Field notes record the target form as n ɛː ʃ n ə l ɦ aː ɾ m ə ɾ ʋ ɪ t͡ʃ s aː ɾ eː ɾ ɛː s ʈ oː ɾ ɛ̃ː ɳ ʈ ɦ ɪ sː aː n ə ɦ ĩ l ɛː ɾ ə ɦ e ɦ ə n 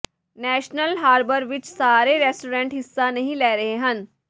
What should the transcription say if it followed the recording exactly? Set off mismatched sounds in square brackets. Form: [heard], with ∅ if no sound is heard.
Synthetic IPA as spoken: n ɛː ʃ n ə l ɦ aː ɾ [b] ə ɾ ʋ ɪ t͡ʃ s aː ɾ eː ɾ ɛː s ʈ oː ɾ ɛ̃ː ɳ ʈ ɦ ɪ sː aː n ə ɦ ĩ l ɛː ɾ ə ɦ e ɦ ə n